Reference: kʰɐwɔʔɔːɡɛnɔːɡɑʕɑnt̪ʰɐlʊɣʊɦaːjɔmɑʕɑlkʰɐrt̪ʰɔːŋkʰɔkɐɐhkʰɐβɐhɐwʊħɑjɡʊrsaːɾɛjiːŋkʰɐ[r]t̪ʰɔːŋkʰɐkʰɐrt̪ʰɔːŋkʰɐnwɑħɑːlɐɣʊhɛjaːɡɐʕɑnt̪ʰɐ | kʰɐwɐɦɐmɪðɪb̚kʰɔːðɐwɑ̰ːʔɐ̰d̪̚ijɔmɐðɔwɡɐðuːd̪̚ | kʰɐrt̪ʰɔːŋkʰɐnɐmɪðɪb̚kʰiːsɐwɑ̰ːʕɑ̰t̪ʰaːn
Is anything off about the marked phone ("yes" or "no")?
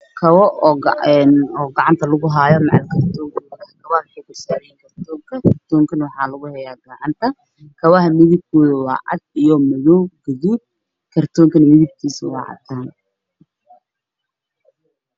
no